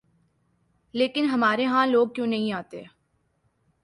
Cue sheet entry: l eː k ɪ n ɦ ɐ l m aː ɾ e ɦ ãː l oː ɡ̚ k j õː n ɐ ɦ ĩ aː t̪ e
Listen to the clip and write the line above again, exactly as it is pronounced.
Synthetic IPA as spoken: l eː k ɪ n ɦ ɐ m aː ɾ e ɦ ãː l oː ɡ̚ k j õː n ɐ ɦ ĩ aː t̪ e